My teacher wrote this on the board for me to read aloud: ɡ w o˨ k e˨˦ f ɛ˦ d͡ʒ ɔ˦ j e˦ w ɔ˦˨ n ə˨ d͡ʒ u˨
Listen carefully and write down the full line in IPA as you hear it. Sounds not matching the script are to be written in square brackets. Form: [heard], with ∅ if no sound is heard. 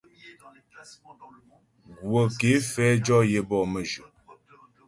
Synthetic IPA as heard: ɡ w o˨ k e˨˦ f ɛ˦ d͡ʒ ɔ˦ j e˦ [b] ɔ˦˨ [m] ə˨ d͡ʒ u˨

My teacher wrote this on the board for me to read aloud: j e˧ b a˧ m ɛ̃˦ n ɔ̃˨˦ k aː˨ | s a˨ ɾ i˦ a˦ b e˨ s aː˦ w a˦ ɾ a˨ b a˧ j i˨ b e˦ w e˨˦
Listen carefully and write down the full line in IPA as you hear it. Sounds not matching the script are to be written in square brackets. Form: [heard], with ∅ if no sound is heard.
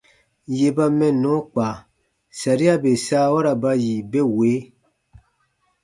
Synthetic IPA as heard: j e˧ b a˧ m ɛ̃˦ n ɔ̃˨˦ [k͡p] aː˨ | s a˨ ɾ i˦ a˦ b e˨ s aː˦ w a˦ ɾ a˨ b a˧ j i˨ b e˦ w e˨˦

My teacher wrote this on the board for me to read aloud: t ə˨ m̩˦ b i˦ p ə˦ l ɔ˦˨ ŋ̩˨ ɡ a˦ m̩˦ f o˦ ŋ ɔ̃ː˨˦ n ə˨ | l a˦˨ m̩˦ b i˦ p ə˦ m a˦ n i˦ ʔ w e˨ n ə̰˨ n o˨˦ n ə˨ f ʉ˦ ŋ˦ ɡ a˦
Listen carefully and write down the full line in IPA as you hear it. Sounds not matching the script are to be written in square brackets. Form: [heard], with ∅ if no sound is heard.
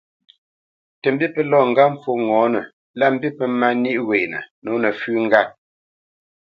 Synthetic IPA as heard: t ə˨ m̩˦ b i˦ p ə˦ l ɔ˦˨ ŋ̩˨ ɡ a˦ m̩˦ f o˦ ŋ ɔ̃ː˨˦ n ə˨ | l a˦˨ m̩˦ b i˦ p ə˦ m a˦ n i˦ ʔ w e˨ n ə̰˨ n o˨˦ n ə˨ f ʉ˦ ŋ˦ ɡ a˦

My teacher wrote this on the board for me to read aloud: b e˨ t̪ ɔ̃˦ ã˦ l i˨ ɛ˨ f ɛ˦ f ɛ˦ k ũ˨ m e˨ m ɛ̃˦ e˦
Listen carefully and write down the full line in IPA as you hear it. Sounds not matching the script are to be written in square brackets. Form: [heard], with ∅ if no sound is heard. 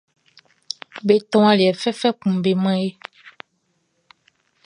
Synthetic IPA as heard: b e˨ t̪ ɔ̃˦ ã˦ l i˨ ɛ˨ f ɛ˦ f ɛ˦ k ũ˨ [b] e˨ m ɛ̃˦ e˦

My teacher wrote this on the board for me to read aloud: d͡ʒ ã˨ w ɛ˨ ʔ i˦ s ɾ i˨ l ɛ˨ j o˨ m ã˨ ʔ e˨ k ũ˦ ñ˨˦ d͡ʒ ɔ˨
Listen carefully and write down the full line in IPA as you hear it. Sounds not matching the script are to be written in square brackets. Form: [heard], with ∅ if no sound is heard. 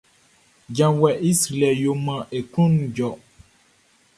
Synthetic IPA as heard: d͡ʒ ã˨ w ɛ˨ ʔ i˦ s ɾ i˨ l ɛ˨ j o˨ m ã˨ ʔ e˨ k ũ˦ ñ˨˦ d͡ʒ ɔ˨

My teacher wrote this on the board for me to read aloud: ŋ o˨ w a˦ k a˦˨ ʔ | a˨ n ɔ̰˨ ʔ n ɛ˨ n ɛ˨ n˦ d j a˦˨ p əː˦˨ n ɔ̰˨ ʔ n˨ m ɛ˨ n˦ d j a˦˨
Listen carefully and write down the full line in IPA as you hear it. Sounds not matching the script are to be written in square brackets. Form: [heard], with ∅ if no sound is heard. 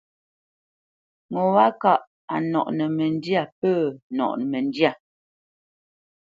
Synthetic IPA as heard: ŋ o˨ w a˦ k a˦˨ ʔ | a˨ n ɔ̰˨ ʔ n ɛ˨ [m] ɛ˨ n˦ d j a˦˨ p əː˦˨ n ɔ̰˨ ʔ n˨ m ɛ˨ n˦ d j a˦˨

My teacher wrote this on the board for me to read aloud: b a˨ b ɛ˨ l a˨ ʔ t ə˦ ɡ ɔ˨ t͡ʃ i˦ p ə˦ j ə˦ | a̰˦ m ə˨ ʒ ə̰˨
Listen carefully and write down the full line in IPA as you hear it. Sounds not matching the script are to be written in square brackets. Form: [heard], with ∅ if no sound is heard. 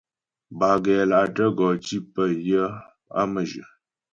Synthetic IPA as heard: b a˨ [ɡ] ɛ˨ l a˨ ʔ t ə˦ ɡ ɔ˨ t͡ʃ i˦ p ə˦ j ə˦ | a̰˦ m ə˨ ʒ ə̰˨

